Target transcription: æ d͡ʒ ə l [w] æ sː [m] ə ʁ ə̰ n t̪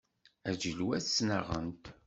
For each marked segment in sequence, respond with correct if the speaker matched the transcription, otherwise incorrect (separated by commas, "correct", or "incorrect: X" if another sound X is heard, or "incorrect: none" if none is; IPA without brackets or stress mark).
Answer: correct, incorrect: n